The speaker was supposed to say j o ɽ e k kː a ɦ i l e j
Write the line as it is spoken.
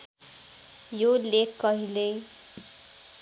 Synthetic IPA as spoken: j o l e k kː ʌ ɦ i l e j